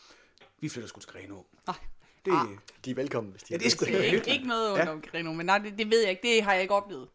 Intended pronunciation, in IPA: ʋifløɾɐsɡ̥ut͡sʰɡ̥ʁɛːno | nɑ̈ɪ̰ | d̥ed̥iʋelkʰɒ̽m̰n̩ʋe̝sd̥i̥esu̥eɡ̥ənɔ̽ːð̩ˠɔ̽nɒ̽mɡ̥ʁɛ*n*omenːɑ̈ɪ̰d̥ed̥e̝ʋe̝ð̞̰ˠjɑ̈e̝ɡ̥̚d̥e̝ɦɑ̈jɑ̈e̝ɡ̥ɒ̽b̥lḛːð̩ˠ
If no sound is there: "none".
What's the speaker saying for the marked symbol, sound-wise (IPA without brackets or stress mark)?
n